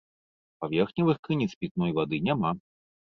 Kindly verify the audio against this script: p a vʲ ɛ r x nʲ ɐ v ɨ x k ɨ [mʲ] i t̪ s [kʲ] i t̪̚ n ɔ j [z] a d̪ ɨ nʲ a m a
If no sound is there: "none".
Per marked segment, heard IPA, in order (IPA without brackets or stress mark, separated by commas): nʲ, pʲ, v